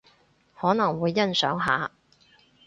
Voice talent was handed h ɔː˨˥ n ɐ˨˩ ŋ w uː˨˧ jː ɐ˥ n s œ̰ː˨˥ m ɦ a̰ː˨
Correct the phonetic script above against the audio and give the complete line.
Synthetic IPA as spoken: h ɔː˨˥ n ɐ˨˩ ŋ w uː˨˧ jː ɐ˥ n s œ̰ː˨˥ ŋ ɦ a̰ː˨